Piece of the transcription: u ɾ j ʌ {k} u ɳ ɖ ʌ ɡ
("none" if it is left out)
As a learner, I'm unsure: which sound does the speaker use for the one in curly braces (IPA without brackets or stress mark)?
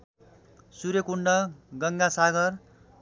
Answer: k